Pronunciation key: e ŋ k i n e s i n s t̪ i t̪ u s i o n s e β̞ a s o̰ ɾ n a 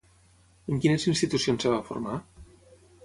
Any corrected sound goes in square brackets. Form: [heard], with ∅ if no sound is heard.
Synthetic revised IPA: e ŋ k i n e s i n s t̪ i t̪ u s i o n s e β̞ a [f] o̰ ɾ [m] a